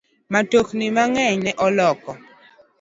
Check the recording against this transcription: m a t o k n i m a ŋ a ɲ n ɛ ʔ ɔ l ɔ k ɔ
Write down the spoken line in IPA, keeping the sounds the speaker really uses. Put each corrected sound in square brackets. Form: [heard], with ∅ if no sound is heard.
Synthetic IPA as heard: m a t o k n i m a ŋ [ɛ] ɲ n ɛ ʔ ɔ l ɔ k ɔ